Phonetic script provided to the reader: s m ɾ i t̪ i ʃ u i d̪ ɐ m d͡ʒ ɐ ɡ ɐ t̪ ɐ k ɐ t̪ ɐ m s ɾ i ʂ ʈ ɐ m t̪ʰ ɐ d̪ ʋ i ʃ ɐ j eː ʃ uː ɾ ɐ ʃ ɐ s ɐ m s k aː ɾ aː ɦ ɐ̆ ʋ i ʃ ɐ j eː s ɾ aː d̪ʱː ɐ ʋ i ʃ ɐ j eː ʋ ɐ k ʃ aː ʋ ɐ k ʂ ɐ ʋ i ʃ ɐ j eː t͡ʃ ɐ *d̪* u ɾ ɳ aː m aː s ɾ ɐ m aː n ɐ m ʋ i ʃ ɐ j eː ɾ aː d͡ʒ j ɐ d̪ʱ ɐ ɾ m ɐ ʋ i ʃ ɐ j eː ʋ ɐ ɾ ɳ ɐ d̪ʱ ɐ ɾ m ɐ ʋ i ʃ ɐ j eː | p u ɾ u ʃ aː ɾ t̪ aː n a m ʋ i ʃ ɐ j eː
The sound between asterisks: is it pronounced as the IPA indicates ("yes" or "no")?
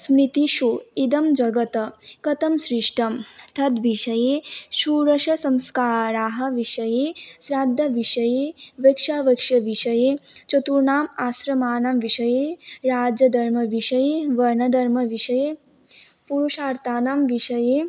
no